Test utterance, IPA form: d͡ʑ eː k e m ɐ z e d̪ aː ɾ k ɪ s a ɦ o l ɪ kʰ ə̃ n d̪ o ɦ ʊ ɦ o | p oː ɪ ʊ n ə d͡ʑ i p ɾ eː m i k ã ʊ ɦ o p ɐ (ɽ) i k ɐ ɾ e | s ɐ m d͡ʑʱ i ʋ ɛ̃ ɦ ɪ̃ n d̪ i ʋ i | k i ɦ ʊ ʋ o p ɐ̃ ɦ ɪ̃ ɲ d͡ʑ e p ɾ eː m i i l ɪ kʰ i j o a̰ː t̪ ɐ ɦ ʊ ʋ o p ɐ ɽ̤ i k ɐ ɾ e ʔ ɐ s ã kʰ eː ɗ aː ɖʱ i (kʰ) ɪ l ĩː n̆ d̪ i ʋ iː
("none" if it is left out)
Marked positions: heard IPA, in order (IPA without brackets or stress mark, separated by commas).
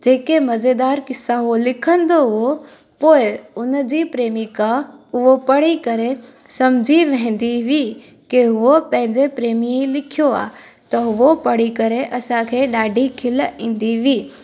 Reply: ɽ, kʰ